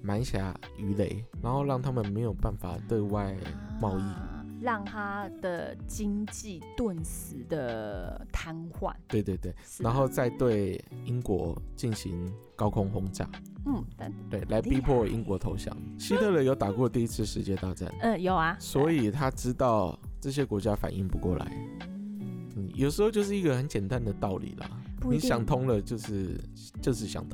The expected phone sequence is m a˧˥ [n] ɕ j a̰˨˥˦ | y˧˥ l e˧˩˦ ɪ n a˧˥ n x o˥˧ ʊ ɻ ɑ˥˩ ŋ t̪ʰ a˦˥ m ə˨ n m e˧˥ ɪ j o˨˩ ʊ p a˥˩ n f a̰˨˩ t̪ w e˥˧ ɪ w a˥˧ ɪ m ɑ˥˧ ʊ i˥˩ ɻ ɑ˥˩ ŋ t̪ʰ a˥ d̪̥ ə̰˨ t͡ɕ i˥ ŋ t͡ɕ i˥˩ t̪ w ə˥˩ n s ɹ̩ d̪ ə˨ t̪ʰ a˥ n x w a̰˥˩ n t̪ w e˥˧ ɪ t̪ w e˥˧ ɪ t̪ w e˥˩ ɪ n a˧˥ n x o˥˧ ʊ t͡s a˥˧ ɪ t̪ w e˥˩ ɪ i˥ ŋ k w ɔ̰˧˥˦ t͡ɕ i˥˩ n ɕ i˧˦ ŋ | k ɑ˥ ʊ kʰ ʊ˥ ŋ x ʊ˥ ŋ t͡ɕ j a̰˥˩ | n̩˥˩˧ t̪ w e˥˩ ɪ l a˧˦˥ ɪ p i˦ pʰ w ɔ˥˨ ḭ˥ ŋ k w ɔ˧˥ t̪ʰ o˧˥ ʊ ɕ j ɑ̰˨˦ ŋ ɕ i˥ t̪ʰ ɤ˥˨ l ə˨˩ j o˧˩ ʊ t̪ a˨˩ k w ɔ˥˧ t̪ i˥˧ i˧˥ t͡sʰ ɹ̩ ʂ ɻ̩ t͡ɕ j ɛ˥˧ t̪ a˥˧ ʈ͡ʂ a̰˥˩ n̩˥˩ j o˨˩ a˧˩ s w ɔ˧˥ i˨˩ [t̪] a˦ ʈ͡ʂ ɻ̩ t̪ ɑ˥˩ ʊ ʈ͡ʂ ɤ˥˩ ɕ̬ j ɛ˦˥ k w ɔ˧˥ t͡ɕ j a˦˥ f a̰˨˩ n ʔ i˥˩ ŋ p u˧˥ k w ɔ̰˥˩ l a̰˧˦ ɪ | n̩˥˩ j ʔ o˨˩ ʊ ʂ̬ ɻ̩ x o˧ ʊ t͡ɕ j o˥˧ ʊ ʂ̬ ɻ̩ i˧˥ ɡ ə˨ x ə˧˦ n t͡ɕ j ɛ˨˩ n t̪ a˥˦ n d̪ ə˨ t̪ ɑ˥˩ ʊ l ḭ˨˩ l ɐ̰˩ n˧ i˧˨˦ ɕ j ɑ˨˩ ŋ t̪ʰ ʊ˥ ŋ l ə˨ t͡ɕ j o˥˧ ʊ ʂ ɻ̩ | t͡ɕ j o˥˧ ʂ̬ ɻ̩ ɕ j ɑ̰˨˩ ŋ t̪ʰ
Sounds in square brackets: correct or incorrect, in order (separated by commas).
correct, incorrect